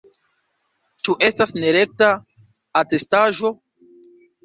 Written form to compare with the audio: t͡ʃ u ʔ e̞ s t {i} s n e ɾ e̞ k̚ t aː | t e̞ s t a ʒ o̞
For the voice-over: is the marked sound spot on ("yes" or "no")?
no